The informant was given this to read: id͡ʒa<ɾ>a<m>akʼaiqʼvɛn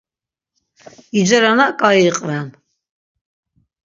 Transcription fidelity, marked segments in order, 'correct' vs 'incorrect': correct, incorrect

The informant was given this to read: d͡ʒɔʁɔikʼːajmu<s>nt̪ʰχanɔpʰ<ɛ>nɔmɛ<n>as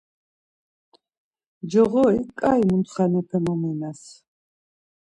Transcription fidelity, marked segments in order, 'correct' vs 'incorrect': incorrect, correct, correct

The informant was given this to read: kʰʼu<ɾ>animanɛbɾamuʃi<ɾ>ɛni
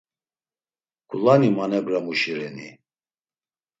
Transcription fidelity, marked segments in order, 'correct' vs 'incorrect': incorrect, correct

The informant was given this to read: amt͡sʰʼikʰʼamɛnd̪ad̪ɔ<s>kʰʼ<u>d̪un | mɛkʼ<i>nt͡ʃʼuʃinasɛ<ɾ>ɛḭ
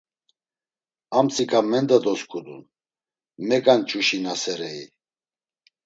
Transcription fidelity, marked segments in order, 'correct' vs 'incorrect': correct, correct, incorrect, correct

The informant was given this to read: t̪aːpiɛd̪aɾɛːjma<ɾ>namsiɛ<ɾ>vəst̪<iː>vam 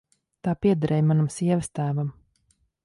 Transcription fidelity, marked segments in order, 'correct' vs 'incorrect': incorrect, incorrect, incorrect

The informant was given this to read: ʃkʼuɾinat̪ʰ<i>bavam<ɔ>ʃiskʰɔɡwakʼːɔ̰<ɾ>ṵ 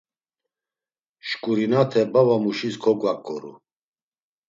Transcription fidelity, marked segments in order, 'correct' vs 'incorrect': incorrect, incorrect, correct

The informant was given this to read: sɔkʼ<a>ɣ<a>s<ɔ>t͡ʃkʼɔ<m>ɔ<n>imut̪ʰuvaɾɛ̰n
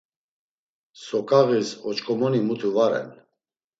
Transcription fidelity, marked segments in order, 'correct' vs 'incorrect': correct, incorrect, correct, correct, correct

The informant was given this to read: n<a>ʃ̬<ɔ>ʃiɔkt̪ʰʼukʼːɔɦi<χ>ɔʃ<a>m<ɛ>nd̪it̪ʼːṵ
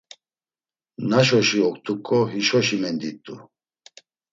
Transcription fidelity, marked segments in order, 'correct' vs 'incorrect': correct, correct, incorrect, incorrect, correct

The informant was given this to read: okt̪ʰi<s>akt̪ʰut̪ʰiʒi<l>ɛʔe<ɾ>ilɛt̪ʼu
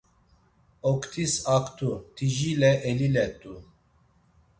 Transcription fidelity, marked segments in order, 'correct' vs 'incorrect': correct, correct, incorrect

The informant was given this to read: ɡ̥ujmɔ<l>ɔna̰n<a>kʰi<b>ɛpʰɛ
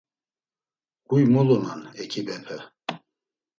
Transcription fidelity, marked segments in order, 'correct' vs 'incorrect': correct, incorrect, correct

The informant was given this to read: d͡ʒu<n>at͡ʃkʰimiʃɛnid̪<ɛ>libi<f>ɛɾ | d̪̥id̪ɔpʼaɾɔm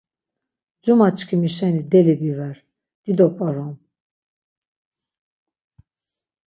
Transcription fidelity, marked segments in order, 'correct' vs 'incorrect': incorrect, correct, incorrect

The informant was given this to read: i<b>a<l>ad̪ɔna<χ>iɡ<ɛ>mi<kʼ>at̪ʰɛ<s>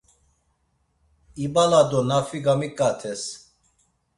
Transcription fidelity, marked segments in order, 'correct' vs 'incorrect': correct, correct, incorrect, incorrect, correct, correct

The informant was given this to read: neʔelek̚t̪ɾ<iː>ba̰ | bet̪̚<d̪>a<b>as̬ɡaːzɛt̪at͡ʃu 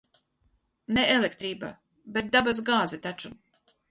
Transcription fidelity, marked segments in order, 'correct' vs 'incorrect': correct, correct, correct

